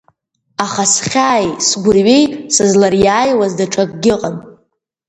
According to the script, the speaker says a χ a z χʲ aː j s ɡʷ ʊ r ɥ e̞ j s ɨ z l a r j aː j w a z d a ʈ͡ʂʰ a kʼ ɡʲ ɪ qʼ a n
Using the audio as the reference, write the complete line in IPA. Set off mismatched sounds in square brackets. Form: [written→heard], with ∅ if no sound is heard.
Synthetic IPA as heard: a χ a [z→s] χʲ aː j s ɡʷ ʊ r ɥ e̞ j s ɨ z l a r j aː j w a z d a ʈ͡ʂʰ a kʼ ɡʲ ɪ qʼ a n